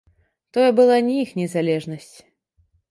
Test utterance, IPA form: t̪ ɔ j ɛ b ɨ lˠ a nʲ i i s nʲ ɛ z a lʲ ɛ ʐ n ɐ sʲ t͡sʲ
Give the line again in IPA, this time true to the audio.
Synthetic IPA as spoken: t̪ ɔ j ɛ b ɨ lˠ a nʲ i i x nʲ ɛ z a lʲ ɛ ʐ n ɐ sʲ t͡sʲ